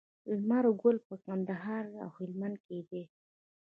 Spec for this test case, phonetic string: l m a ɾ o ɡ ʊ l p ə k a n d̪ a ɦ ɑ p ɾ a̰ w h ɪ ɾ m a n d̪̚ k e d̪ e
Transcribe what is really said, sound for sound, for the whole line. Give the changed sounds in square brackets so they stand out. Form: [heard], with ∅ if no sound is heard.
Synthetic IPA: l m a ɾ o ɡ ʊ l p ə k a n d̪ a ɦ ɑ [∅] ɾ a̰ w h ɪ [l] m a n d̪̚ k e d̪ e